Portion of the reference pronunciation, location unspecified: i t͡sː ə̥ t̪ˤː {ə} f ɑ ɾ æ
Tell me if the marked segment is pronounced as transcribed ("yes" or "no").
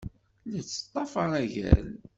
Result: no